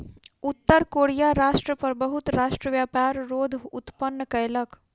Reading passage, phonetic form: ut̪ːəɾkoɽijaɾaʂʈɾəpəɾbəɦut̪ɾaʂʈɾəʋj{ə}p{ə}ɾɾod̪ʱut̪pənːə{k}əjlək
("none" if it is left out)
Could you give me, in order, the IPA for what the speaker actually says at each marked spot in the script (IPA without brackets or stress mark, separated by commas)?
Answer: a, a, k